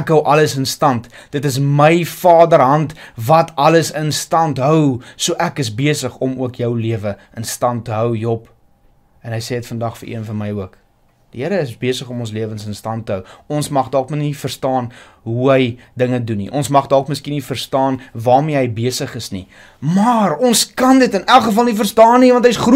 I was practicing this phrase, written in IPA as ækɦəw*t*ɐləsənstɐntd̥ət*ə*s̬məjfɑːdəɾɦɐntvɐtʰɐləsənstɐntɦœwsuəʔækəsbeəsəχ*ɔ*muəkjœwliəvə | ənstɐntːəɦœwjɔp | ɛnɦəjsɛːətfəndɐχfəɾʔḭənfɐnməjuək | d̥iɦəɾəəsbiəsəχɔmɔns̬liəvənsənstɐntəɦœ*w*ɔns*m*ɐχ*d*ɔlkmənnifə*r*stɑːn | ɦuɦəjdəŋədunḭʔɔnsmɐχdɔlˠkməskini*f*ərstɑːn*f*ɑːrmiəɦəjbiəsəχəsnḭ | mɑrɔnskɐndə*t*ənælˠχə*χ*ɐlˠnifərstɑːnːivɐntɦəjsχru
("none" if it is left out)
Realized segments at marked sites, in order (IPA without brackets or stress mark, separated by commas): ʔ, ə, ɔ, w, m, d, r, f, v, t, f